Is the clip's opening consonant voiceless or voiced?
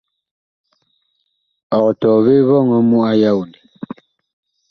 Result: voiceless